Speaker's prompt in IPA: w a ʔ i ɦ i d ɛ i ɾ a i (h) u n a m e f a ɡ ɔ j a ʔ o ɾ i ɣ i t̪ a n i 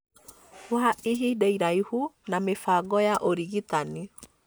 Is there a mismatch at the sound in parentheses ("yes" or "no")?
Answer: no